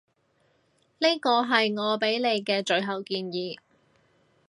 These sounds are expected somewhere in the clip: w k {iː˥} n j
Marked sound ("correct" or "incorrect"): incorrect